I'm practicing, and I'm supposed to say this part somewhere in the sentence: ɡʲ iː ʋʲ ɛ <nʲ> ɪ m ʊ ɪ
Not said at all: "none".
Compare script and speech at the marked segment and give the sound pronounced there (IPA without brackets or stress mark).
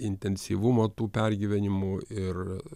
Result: nʲ